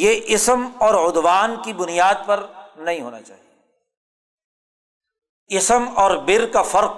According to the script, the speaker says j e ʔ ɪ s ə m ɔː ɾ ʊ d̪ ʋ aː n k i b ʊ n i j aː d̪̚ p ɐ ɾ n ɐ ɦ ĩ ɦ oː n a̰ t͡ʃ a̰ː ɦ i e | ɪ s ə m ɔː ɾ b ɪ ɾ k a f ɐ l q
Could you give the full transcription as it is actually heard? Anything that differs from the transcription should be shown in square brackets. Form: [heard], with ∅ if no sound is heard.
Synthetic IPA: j e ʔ ɪ s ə m ɔː ɾ ʊ d̪ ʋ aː n k i b ʊ n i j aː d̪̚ p ɐ ɾ n ɐ ɦ ĩ ɦ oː n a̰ t͡ʃ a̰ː ɦ i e | ɪ s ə m ɔː ɾ b ɪ ɾ k a f ɐ [ɾ] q